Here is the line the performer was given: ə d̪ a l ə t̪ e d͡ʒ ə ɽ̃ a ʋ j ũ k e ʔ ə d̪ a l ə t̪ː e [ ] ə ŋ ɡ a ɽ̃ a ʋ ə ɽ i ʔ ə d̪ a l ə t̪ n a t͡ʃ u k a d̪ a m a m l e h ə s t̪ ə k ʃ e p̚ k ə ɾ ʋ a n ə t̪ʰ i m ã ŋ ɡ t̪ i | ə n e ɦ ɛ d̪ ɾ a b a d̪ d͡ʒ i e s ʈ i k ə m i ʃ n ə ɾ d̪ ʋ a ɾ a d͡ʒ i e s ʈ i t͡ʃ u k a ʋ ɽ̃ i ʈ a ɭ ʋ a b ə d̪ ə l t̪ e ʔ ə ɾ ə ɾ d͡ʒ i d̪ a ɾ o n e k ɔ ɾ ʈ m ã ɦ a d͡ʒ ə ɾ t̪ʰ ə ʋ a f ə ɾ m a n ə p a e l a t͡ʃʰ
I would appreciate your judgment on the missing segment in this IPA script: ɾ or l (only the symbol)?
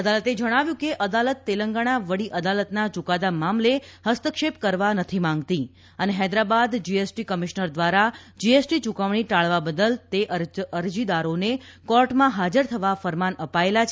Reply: l